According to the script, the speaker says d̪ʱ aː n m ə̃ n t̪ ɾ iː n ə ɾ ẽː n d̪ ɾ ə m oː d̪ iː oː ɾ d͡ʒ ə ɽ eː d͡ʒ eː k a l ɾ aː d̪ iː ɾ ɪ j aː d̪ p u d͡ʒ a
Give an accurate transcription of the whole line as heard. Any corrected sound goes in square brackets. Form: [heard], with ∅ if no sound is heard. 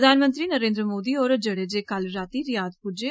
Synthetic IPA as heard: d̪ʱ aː n m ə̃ n t̪ ɾ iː n ə ɾ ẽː n d̪ ɾ ə m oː d̪ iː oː ɾ d͡ʒ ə ɽ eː d͡ʒ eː k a l ɾ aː [t̪] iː ɾ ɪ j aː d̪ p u d͡ʒ [e]

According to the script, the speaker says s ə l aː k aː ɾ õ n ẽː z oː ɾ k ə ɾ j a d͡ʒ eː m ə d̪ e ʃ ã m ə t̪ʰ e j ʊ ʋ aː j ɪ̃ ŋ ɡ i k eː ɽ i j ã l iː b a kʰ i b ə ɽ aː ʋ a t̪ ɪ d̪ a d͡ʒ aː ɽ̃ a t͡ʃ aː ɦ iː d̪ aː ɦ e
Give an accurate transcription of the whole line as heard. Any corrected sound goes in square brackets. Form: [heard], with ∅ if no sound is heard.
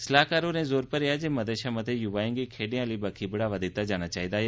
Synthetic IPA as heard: s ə l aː k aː ɾ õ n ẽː z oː ɾ [p] ə ɾ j a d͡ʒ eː m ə d̪ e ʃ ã m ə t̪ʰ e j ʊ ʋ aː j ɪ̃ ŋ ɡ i [kʰ] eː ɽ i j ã l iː b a kʰ i b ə ɽ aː ʋ a [d̪] ɪ [t̪] a d͡ʒ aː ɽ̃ a t͡ʃ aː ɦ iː d̪ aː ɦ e

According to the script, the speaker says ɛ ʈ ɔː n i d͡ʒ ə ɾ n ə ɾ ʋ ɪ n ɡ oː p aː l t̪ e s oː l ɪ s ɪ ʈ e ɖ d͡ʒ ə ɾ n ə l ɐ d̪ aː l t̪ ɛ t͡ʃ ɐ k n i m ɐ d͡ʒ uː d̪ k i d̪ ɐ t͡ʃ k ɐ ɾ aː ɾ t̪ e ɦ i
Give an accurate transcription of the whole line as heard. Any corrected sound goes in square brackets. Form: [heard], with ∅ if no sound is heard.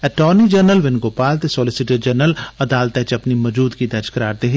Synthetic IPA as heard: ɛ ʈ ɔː n i d͡ʒ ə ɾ n ə [l] ʋ ɪ n ɡ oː p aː l t̪ e s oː l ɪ s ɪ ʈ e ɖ d͡ʒ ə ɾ n ə l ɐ d̪ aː l t̪ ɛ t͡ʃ ɐ [p] n i m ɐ d͡ʒ uː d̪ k i d̪ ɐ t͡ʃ k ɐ ɾ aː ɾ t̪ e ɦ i

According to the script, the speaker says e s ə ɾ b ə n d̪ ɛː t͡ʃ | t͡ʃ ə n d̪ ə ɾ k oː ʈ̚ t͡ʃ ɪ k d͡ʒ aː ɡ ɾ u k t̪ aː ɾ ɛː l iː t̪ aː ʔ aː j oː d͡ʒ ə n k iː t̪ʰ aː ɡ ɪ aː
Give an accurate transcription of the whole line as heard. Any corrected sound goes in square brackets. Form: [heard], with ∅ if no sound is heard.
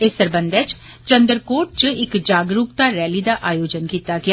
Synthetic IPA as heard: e s ə ɾ b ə n d̪ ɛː t͡ʃ | t͡ʃ ə n d̪ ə ɾ k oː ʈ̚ t͡ʃ ɪ k d͡ʒ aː ɡ ɾ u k t̪ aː ɾ ɛː l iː [d̪] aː ʔ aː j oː d͡ʒ ə n k iː [t̪] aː ɡ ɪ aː

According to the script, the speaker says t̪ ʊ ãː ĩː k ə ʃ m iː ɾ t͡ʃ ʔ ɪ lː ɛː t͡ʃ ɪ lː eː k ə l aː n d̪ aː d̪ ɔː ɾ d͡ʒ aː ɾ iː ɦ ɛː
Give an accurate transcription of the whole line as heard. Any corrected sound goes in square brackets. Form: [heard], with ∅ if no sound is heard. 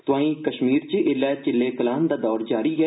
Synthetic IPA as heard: t̪ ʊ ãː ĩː k ə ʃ m iː ɾ t͡ʃ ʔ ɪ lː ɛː t͡ʃ ɪ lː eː k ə l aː n d̪ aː d̪ ɔː ɾ d͡ʒ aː ɾ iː ɦ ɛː

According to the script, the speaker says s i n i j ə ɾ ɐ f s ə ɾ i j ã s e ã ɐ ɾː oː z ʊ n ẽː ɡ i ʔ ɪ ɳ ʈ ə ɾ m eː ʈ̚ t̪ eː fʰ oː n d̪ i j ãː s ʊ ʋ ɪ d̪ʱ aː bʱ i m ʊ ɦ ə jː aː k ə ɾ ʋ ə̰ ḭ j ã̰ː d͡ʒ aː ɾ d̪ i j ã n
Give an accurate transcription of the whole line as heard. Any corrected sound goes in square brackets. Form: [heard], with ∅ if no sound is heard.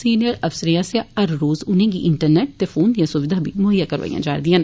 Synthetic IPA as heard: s [iː] n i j ə ɾ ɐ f s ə ɾ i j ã s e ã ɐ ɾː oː z ʊ n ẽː ɡ i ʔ ɪ ɳ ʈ ə ɾ [n] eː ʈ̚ t̪ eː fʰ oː n d̪ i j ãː s ʊ ʋ ɪ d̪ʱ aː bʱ i m ʊ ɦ ə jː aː k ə ɾ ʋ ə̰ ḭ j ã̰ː d͡ʒ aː ɾ d̪ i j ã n

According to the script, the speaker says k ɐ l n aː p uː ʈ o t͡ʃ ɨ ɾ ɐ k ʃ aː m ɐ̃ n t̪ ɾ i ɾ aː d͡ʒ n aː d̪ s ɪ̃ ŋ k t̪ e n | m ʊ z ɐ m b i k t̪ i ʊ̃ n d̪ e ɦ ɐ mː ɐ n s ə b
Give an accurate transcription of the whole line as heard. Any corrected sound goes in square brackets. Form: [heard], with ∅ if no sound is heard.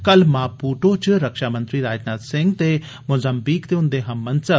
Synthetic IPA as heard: k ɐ l [m] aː p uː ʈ o t͡ʃ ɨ ɾ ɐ k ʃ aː m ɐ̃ n t̪ ɾ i ɾ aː d͡ʒ n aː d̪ s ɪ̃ ŋ [ɡ] t̪ e [∅] | m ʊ z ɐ m b i k t̪ [e] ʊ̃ n d̪ e ɦ ɐ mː ɐ n s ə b

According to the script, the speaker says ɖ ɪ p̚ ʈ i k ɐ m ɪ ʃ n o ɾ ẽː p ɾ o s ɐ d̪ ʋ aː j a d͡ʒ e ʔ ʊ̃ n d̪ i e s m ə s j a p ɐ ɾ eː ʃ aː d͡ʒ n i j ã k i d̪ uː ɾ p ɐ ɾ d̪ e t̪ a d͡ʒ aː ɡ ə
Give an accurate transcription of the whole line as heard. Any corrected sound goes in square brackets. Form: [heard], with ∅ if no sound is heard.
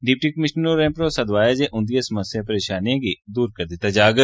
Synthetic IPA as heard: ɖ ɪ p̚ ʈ i k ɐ m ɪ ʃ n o ɾ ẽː p ɾ o s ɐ d̪ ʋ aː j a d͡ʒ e ʔ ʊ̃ n d̪ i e s m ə s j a p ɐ ɾ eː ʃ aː [∅] n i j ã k i d̪ uː ɾ [k] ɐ ɾ d̪ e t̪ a d͡ʒ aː ɡ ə

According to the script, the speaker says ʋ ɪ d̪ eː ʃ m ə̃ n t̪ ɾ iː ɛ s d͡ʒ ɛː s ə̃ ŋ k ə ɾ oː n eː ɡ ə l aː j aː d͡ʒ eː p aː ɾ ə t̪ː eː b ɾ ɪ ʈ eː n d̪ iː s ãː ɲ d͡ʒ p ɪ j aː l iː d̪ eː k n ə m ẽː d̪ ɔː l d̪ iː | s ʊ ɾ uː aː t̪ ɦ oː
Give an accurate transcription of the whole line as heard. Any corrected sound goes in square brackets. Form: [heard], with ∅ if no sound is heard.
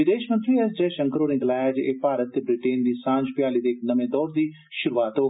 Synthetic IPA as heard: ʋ ɪ d̪ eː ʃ m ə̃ n t̪ ɾ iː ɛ s d͡ʒ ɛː [ʃ] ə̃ ŋ k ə ɾ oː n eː ɡ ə l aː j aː d͡ʒ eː p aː ɾ ə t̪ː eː b ɾ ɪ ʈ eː n d̪ iː s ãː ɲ d͡ʒ p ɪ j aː l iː d̪ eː k n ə m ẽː d̪ ɔː [ɾ] d̪ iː | [ʃ] ʊ ɾ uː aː t̪ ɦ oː

